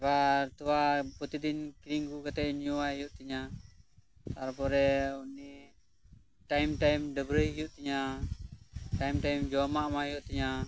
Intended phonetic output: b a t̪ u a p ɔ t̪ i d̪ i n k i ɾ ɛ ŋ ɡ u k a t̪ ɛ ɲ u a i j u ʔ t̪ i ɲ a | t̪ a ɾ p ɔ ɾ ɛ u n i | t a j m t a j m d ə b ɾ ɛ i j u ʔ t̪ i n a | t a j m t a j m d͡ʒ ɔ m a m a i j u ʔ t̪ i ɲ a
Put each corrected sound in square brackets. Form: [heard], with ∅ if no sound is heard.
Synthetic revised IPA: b a t̪ u a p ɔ t̪ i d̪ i n k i ɾ [i] ŋ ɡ u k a t̪ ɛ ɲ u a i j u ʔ t̪ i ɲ a | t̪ a ɾ p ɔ ɾ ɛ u n i | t a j m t a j m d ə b ɾ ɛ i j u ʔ t̪ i [ɲ] a | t a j m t a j m d͡ʒ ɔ m a m a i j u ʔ t̪ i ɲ a